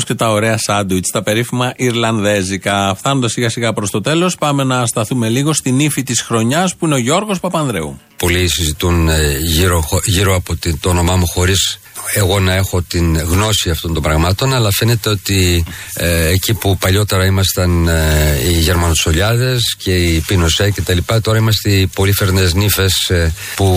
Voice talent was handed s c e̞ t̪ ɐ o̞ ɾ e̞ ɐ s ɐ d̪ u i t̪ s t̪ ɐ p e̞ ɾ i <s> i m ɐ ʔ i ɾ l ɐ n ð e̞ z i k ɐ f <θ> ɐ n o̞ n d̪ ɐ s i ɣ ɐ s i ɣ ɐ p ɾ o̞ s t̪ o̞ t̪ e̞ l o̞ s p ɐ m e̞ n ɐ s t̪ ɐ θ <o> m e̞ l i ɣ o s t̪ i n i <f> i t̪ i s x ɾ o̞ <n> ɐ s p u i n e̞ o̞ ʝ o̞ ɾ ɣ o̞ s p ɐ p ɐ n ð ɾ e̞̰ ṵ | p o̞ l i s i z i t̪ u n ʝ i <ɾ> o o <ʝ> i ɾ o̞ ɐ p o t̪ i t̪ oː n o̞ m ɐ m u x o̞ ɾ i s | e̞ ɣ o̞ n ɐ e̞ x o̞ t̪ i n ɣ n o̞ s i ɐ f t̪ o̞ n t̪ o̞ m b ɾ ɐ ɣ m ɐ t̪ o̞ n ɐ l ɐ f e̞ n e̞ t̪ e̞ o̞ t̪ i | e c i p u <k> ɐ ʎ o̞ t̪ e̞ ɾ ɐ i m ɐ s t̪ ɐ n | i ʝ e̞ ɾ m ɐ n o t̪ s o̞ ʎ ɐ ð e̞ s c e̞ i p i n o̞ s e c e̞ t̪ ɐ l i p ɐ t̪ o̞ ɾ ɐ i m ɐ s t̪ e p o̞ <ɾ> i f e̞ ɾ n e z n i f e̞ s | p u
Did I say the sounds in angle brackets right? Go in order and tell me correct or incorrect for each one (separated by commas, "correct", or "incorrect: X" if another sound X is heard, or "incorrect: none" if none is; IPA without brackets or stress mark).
incorrect: f, correct, incorrect: u, correct, incorrect: ɲ, correct, correct, incorrect: p, incorrect: l